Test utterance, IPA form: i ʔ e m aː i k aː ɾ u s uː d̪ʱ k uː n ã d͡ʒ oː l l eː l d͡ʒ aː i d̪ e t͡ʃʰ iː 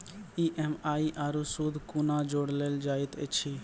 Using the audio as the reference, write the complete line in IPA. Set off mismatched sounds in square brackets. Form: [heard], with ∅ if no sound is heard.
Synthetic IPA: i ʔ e m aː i [ʔ] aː ɾ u s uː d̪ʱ k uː n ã d͡ʒ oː [ɽ] l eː l d͡ʒ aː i [t̪] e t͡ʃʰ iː